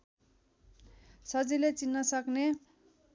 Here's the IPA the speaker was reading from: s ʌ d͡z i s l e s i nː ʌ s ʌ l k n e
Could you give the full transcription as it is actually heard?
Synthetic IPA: s ʌ d͡z i l e t͡s i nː ʌ s ʌ k n e